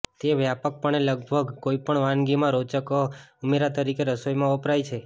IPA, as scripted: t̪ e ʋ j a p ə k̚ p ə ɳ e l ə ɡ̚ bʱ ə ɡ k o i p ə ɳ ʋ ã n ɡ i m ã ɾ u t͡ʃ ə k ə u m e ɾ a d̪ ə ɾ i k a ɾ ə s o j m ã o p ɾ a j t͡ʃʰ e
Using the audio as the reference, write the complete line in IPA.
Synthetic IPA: t̪ e ʋ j a p ə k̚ p ə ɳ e l ə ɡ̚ bʱ ə ɡ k o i p ə ɳ ʋ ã n ɡ i m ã ɾ o t͡ʃ ə k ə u m e ɾ a t̪ ə ɾ i k e ɾ ə s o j m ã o p ɾ a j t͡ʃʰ e